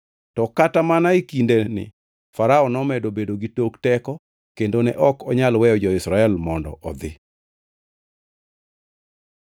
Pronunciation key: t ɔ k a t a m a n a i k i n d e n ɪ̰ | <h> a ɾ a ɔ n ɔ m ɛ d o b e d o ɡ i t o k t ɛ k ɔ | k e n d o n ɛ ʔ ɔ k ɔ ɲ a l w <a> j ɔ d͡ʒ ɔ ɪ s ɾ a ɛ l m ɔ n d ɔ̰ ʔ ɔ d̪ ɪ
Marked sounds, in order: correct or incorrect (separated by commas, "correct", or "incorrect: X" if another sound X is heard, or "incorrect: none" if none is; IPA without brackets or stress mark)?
incorrect: f, incorrect: ɛ